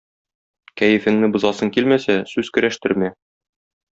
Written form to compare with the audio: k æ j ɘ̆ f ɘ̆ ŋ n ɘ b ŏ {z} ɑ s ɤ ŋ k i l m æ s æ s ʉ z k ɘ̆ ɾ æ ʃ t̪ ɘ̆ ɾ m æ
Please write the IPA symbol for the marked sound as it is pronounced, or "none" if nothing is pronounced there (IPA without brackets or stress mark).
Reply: z